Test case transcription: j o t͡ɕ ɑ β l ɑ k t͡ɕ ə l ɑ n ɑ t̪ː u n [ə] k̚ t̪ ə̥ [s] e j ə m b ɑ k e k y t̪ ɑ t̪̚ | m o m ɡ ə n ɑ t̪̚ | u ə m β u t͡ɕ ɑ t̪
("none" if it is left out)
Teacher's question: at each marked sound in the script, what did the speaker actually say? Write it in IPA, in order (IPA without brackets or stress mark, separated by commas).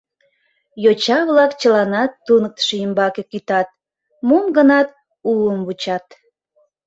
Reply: ə, ʃ